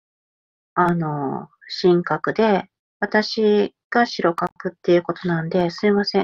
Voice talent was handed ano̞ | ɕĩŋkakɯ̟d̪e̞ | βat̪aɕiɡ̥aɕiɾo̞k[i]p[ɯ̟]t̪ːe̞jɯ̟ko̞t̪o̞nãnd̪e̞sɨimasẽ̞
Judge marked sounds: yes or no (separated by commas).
no, yes